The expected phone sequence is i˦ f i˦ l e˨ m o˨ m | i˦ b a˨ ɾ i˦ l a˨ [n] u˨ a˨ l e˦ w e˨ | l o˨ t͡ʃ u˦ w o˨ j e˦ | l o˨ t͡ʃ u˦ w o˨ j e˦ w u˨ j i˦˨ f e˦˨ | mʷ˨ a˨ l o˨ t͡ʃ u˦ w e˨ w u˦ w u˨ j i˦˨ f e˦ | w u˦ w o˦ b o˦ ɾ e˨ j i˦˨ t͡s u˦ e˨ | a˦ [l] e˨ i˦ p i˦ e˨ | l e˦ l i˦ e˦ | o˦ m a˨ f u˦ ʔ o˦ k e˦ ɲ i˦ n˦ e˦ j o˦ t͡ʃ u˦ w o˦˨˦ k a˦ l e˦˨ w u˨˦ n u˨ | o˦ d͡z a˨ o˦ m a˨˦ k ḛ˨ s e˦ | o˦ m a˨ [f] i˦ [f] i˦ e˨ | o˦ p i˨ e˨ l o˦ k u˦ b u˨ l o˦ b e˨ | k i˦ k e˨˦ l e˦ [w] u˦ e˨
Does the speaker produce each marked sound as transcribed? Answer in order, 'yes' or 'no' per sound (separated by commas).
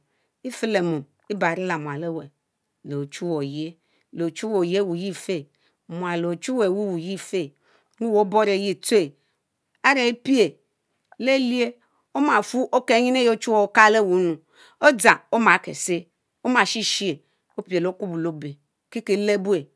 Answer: no, no, no, no, no